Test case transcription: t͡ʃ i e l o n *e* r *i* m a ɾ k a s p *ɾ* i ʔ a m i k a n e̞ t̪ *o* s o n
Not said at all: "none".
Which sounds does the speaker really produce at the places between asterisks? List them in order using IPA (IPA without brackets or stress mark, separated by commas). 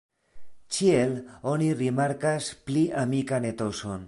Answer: i, i, l, o